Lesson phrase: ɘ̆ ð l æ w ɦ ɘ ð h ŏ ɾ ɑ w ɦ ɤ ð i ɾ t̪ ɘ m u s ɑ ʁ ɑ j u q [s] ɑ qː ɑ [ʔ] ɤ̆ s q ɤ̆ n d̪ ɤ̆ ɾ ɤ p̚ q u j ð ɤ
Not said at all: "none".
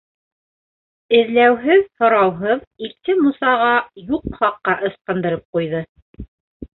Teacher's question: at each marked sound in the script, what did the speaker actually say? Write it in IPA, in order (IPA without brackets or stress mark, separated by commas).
χ, ʔ